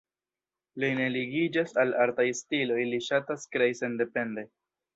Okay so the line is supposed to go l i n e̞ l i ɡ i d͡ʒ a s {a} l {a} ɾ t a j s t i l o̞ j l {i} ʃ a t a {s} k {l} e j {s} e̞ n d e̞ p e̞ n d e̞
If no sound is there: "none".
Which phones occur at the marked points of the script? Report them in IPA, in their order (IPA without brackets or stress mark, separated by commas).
a, a, i, s, ɾ, s